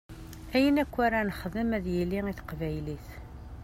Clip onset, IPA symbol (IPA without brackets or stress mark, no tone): æ